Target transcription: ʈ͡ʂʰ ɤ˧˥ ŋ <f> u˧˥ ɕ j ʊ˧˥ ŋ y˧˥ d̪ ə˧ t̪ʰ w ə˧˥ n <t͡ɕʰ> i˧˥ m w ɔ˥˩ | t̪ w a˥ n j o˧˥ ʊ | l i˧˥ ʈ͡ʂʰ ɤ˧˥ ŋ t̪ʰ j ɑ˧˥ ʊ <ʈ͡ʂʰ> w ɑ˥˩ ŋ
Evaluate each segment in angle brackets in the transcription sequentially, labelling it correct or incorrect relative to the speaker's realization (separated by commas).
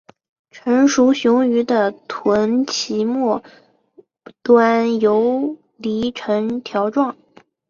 incorrect, correct, incorrect